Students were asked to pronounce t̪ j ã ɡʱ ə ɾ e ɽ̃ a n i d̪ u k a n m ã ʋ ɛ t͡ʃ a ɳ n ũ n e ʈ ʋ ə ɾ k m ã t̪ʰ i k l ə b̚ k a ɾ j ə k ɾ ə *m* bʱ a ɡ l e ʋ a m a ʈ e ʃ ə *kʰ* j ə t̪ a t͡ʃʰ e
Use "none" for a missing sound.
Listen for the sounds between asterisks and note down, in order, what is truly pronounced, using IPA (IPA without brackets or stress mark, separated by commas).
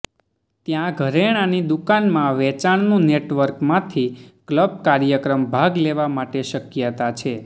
m, k